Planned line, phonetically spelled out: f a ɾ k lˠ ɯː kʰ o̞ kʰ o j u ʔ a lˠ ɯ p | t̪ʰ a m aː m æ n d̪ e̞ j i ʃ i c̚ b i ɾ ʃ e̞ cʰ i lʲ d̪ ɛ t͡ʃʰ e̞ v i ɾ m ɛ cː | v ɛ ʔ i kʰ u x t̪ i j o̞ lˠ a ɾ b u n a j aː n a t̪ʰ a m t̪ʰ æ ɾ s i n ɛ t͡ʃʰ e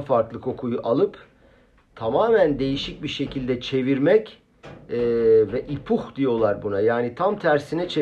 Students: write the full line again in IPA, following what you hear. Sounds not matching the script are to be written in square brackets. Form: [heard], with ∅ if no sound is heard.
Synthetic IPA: f a ɾ k lˠ [ɯ] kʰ o̞ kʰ [u] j u ʔ a lˠ ɯ p | t̪ʰ a m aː m æ n d̪ e̞ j i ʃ i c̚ b i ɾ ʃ e̞ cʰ i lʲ d̪ ɛ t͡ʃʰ e̞ v i ɾ m ɛ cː | v ɛ ʔ i [pʰ] u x [d̪] i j o̞ lˠ a ɾ b u n a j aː n [i] t̪ʰ a m t̪ʰ æ ɾ s i n ɛ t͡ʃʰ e